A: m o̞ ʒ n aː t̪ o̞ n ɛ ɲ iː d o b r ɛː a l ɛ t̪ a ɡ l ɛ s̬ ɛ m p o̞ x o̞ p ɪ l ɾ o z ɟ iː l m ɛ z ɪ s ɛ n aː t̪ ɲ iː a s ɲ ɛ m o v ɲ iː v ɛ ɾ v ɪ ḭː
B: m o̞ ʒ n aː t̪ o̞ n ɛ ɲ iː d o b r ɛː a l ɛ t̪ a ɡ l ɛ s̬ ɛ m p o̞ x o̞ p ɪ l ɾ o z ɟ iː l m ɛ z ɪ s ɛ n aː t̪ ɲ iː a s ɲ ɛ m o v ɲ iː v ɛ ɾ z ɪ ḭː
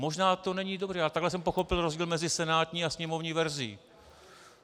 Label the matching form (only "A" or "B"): B